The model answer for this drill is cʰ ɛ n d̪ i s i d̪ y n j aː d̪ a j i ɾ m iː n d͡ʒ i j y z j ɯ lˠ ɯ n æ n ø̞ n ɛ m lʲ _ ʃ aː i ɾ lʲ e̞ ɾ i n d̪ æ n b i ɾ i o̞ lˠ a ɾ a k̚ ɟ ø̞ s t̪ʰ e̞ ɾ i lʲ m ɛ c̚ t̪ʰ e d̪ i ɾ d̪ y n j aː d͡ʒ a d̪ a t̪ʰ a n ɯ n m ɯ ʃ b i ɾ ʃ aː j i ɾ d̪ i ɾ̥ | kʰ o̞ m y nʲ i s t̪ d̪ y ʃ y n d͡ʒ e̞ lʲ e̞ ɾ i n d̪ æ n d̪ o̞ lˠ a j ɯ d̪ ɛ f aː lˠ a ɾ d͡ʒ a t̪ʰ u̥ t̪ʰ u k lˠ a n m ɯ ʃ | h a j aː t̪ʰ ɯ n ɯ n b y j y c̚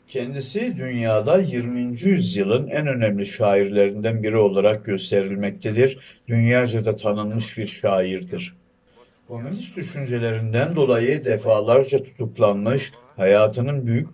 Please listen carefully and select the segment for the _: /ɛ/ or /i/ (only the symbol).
i